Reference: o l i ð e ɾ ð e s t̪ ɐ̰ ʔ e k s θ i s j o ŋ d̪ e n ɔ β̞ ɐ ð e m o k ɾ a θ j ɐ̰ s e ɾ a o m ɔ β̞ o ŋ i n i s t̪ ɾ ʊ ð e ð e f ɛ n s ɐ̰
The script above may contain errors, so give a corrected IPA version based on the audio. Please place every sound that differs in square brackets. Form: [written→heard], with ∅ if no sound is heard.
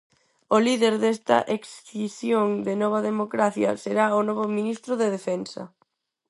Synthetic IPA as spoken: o l i ð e ɾ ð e s t̪ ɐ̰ ʔ e k s θ i s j o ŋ d̪ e n ɔ β̞ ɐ ð e m o k ɾ a θ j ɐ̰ s e ɾ a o [m→n] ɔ β̞ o [ŋ→m] i n i s t̪ ɾ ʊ ð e ð e f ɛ n s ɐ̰